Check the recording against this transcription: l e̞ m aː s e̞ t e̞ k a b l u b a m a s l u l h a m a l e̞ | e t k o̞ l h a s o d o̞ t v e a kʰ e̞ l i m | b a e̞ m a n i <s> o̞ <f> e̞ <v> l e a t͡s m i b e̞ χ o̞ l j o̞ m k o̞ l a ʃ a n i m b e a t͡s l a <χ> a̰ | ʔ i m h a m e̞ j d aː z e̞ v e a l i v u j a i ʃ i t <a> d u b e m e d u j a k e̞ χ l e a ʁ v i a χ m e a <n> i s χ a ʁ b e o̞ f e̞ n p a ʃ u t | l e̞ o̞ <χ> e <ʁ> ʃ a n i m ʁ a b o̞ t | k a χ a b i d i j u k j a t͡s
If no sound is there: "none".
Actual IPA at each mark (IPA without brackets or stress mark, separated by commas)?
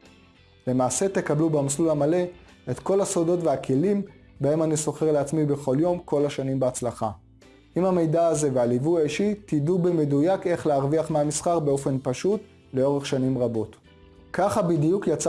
s, χ, ʁ, χ, i, m, ʁ, χ